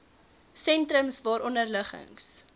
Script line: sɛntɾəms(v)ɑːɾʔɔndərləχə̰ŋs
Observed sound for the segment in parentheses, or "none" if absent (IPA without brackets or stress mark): v